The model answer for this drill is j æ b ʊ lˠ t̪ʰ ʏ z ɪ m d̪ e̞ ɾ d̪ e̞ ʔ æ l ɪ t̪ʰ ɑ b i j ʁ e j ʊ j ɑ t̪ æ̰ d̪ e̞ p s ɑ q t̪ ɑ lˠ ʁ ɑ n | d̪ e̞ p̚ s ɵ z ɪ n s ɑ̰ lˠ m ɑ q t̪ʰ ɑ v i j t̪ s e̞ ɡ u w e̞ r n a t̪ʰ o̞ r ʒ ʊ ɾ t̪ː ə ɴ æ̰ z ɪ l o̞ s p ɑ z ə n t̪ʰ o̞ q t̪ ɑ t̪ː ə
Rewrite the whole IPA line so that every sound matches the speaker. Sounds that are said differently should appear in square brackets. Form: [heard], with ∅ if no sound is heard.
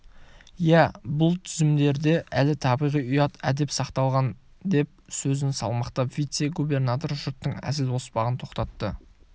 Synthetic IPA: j æ b ʊ lˠ t̪ʰ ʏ z ɪ m d̪ e̞ ɾ d̪ e̞ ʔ æ l ɪ t̪ʰ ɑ b i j ʁ [i] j ʊ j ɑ t̪ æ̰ d̪ e̞ p s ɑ q t̪ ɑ lˠ ʁ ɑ n | d̪ e̞ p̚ s ɵ z ɪ n s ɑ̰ lˠ m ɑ q [t̪] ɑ v i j t̪ s e̞ ɡ u [b] e̞ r n a [t̪] o̞ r ʒ ʊ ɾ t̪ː ə ɴ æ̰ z ɪ l o̞ s p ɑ [ʁ] ə n t̪ʰ o̞ q t̪ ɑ t̪ː ə